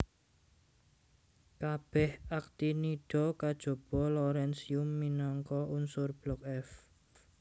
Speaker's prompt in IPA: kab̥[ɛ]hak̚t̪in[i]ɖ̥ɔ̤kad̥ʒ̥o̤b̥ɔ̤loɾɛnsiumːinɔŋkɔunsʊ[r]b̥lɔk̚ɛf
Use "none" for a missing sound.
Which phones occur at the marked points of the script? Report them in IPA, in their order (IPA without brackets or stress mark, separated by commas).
ɛ, i, r